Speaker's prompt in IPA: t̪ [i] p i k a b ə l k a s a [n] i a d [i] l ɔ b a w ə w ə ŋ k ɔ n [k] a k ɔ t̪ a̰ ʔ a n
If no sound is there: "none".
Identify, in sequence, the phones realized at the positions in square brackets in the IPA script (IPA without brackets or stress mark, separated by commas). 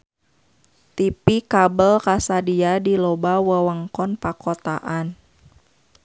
i, d, i, p